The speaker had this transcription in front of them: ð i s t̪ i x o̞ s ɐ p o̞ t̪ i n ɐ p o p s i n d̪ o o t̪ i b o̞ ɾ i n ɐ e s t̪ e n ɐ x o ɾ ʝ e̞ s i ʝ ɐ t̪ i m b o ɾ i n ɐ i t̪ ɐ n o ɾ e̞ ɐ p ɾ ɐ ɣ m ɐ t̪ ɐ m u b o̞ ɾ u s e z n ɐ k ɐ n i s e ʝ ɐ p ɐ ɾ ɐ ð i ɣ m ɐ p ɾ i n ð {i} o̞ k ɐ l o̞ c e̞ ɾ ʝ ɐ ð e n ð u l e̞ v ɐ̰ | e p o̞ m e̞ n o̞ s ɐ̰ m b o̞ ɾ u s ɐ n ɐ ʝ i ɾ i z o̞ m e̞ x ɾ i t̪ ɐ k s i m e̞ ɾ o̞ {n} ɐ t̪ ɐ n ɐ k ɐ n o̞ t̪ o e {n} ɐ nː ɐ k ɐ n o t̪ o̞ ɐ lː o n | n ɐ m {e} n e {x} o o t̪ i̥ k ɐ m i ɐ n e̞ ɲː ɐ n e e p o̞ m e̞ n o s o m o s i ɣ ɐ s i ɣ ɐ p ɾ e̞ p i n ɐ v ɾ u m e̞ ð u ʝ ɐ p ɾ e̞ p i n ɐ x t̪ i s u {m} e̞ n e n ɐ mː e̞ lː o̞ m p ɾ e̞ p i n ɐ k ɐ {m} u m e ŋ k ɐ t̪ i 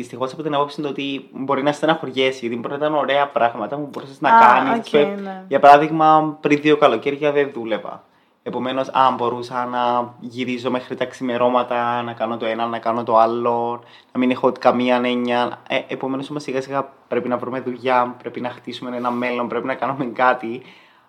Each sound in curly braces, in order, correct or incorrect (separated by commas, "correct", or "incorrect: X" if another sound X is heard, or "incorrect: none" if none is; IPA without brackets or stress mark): correct, incorrect: m, correct, incorrect: i, correct, correct, incorrect: n